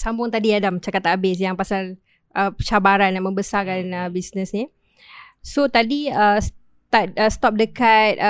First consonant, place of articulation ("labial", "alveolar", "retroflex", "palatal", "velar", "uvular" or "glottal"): alveolar